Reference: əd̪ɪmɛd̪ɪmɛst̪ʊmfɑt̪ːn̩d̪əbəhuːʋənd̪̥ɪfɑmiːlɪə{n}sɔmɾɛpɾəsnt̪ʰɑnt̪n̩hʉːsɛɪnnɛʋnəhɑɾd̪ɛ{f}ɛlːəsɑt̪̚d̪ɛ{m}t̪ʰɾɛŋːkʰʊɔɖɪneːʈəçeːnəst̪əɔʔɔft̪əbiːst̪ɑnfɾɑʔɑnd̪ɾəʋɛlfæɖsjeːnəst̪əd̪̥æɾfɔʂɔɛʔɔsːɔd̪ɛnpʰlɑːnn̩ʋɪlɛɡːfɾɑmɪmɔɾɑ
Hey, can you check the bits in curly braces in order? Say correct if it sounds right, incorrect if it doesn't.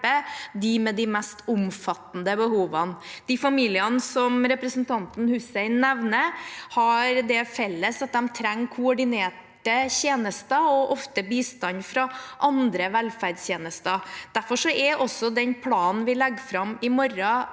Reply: correct, correct, correct

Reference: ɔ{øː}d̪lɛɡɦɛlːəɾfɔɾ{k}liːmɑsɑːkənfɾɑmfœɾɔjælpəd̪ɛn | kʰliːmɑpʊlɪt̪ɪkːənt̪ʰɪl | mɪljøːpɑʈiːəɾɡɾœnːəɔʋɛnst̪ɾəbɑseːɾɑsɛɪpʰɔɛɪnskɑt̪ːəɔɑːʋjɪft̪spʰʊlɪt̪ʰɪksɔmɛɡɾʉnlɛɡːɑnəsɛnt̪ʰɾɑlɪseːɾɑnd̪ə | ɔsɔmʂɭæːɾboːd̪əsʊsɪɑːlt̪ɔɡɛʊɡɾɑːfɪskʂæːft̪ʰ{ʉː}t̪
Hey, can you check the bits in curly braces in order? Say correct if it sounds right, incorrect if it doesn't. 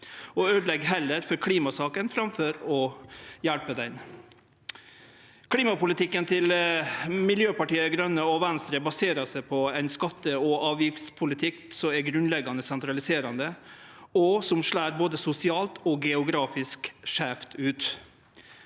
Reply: correct, incorrect, correct

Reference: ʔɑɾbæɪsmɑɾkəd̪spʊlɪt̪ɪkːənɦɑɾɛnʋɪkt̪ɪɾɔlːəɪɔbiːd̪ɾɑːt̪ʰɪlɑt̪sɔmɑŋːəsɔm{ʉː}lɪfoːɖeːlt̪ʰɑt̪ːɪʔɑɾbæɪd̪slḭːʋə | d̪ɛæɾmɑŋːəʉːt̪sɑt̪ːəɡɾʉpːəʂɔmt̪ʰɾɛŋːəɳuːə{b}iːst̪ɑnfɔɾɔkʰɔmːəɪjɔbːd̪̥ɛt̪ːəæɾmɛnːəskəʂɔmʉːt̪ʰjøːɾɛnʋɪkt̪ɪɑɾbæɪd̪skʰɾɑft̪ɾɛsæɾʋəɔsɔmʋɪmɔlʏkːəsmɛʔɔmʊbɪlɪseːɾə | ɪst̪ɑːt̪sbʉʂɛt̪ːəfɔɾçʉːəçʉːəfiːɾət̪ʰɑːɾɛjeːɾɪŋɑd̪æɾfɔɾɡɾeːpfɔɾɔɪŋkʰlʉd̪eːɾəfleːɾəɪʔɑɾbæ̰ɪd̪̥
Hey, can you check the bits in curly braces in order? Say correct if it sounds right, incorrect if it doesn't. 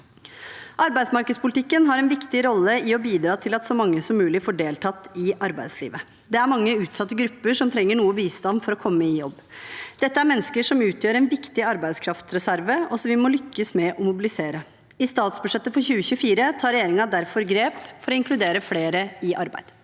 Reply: correct, correct

